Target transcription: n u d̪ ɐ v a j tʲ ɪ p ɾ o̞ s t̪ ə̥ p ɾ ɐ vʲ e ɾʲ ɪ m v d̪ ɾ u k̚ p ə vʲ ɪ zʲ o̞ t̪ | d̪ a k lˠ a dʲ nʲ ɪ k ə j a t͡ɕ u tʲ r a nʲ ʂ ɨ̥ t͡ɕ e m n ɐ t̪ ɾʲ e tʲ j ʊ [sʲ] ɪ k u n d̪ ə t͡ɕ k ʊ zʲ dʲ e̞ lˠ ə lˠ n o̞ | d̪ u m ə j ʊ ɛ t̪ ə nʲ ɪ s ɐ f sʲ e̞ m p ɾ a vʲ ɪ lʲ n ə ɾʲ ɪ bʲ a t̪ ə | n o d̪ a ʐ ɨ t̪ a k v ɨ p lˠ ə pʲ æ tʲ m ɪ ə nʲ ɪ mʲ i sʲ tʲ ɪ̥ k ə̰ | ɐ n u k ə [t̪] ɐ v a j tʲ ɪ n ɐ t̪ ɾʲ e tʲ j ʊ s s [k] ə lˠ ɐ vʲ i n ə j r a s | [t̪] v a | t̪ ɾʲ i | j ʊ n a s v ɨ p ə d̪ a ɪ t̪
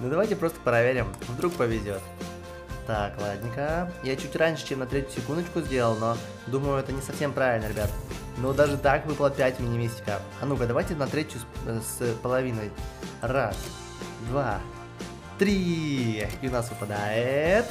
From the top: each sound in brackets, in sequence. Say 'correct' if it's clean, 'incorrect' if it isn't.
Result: correct, incorrect: d̪, incorrect: p, incorrect: d̪

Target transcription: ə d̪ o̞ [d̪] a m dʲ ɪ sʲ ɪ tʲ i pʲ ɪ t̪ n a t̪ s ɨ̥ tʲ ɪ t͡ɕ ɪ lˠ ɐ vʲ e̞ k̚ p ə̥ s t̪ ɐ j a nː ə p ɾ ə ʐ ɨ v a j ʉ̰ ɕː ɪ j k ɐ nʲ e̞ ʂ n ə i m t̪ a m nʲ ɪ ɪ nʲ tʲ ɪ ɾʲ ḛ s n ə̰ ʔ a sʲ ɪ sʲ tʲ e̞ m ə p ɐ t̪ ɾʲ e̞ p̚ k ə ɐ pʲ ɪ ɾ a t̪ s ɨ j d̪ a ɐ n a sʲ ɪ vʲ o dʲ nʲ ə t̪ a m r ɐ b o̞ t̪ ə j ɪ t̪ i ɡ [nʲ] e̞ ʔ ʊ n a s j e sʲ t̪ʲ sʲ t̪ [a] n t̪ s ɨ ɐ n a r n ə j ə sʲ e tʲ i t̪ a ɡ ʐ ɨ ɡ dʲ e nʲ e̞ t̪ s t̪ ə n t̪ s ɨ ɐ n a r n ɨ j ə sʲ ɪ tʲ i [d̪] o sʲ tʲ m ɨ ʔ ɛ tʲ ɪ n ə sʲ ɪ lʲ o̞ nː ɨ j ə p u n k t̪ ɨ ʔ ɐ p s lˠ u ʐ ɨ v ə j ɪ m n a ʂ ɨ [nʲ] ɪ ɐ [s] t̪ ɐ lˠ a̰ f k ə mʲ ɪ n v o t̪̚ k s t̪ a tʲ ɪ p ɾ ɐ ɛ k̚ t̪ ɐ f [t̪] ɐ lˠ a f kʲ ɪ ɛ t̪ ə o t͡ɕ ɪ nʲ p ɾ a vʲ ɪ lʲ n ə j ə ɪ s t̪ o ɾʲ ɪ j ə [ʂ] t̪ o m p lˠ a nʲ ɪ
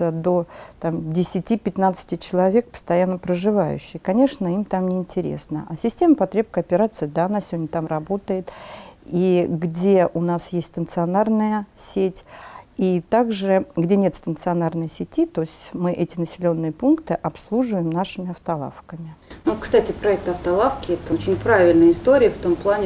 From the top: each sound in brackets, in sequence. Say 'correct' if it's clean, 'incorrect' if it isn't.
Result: incorrect: t̪, incorrect: dʲ, incorrect: ə, incorrect: t̪, incorrect: mʲ, incorrect: f, correct, incorrect: f

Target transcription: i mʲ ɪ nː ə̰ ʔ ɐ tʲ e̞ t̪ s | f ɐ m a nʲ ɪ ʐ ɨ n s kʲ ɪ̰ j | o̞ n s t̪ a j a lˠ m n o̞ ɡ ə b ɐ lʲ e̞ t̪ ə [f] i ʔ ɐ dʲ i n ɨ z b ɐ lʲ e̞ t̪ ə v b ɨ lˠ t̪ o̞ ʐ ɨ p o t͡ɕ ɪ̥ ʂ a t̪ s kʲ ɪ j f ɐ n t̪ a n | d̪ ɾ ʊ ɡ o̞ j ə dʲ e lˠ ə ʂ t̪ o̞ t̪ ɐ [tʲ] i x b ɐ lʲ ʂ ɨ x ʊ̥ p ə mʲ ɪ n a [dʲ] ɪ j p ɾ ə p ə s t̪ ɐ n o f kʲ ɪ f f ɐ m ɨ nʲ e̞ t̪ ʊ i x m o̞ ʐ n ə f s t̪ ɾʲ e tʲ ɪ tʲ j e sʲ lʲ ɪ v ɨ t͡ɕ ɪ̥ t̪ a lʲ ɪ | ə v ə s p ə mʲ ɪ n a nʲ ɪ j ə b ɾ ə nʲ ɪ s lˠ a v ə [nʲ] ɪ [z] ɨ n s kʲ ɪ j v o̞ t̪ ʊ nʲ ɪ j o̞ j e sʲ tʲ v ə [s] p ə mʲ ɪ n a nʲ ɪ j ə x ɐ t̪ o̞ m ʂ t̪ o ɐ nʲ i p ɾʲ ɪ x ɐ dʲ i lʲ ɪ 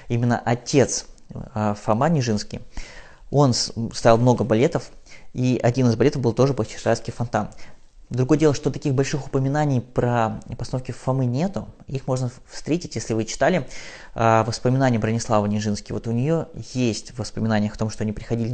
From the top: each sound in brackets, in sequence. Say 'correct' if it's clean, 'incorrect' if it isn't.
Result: correct, incorrect: kʲ, incorrect: nʲ, correct, incorrect: ʐ, correct

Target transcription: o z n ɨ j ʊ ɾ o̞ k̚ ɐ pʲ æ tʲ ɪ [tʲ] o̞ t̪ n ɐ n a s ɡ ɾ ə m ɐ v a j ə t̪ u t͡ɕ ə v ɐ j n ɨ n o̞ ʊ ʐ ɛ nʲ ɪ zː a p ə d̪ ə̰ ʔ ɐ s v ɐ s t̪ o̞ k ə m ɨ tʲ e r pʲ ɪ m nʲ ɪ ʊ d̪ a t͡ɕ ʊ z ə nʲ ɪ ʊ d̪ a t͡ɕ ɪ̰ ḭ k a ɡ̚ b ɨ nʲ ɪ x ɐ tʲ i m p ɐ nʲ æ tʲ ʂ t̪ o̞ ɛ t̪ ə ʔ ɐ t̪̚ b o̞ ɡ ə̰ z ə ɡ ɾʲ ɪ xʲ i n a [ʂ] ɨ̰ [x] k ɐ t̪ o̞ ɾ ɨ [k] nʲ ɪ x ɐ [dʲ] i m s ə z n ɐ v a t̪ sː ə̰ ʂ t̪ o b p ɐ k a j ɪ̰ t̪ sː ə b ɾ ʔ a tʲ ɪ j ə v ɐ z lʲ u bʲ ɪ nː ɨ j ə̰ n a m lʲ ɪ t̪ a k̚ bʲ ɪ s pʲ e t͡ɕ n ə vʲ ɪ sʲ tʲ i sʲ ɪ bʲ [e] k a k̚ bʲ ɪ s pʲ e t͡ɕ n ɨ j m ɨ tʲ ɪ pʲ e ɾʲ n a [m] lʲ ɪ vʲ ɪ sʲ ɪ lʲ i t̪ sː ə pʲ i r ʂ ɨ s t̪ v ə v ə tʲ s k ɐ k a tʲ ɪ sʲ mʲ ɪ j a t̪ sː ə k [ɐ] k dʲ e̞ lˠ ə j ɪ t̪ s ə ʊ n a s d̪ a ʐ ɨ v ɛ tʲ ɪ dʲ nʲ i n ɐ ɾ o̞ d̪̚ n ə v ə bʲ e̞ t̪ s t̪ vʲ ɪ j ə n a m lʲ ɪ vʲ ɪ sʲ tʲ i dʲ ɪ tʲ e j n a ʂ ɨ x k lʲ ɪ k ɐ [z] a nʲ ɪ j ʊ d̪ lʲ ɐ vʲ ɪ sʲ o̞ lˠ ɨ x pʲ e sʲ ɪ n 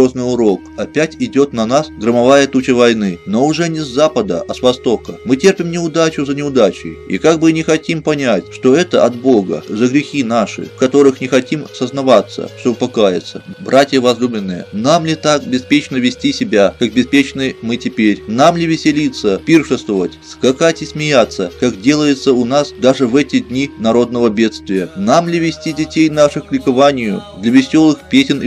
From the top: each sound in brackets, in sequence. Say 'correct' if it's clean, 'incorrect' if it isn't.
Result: incorrect: dʲ, correct, incorrect: f, incorrect: x, incorrect: tʲ, incorrect: a, correct, incorrect: a, incorrect: v

